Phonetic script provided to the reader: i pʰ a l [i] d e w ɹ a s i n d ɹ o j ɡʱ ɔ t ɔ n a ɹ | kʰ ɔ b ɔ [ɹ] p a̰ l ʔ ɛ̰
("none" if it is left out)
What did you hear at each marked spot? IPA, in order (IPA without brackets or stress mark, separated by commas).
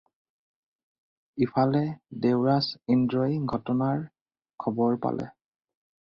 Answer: ɛ, ɹ